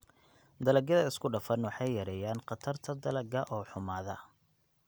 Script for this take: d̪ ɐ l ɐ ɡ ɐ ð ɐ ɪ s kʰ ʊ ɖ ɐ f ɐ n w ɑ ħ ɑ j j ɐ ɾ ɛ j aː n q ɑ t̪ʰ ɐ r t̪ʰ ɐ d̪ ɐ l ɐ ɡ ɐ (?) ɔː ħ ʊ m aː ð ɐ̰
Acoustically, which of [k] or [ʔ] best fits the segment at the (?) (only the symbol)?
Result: ʔ